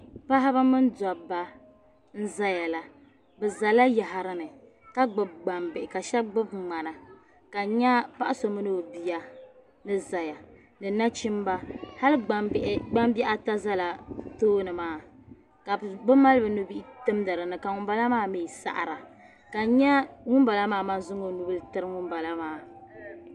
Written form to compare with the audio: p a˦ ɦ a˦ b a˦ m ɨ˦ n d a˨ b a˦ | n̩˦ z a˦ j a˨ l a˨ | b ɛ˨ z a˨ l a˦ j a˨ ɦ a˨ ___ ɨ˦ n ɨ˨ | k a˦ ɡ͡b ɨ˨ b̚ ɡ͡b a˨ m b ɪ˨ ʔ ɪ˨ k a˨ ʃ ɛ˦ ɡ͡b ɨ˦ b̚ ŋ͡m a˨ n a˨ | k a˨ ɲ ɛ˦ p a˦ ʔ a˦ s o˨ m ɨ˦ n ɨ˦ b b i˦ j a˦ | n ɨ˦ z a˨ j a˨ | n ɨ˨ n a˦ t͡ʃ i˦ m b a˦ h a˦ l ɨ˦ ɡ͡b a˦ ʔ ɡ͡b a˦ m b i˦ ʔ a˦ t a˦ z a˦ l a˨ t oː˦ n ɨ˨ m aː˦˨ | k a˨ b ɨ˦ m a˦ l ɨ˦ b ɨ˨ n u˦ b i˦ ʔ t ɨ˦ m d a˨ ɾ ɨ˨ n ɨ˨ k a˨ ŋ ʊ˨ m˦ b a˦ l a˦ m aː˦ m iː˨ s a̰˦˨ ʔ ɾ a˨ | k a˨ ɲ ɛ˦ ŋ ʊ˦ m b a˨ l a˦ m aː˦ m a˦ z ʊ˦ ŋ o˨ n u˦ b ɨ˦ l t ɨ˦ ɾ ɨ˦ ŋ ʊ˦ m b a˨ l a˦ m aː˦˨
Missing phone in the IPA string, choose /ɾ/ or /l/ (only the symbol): ɾ